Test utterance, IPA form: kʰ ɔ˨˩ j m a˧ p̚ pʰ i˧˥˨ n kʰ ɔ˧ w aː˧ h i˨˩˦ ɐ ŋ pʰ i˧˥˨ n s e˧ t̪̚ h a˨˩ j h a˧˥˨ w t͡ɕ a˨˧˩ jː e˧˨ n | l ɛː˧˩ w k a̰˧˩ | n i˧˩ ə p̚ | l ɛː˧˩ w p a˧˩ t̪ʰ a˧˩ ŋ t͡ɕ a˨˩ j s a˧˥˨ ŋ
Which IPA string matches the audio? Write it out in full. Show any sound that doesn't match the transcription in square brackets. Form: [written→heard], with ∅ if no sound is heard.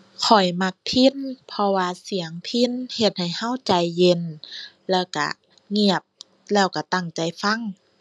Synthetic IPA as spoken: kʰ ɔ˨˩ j m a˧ [p̚→k̚] pʰ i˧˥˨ n [kʰ→pʰ] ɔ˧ w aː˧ [h→s] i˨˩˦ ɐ ŋ pʰ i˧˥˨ n [s→h] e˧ t̪̚ h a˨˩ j h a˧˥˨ w t͡ɕ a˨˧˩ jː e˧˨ n | l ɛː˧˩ w k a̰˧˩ | [n→ŋ] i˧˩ ə p̚ | l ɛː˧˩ w [p→k] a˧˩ [t̪ʰ→t̪] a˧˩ ŋ t͡ɕ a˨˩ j [s→f] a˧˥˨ ŋ